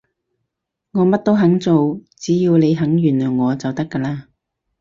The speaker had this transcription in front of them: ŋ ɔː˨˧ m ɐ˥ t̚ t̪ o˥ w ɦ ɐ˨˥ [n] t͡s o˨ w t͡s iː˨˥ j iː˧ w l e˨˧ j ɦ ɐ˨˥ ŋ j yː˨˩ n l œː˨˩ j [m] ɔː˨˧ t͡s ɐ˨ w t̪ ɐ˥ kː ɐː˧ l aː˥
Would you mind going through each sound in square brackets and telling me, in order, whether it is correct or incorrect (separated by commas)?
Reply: incorrect, incorrect